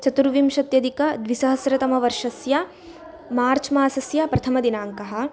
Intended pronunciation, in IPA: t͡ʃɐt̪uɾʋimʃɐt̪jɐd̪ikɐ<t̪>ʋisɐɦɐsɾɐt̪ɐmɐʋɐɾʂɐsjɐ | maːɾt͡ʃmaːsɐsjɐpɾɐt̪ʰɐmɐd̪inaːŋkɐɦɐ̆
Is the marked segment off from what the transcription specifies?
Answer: yes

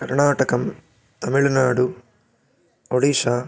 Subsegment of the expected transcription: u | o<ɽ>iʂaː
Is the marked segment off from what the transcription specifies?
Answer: no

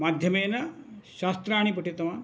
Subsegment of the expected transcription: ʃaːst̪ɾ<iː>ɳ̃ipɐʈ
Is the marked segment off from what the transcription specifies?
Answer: yes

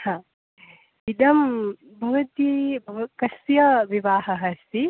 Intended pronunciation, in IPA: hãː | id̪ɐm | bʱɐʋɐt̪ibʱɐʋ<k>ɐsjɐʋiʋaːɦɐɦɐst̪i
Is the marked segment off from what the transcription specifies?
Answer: no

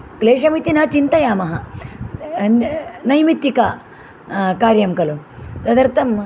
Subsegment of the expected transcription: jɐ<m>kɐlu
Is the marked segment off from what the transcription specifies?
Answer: no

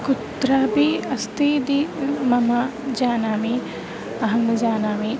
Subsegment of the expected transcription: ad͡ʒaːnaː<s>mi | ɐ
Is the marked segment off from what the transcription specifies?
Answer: yes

